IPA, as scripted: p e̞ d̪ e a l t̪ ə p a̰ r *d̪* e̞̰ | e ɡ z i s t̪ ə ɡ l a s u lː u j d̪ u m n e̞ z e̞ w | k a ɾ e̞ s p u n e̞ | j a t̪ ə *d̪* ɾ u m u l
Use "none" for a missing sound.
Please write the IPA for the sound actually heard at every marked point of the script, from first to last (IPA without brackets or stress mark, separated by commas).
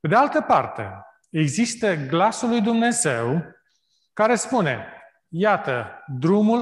t̪, d̪